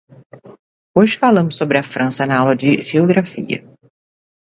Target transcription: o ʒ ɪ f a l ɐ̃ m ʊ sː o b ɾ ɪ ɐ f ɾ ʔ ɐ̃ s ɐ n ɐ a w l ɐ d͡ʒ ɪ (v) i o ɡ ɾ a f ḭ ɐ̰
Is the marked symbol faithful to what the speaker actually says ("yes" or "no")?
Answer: no